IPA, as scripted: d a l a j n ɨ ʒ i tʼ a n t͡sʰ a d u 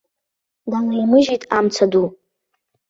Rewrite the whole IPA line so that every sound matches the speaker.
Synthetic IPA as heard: d a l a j m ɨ ʒ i tʼ a m t͡sʰ a d u